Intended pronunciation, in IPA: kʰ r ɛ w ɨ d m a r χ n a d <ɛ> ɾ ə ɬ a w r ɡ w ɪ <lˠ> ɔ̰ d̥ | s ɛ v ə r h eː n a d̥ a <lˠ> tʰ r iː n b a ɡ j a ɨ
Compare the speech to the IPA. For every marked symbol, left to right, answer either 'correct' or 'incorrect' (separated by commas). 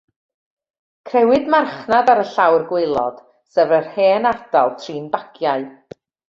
incorrect, correct, correct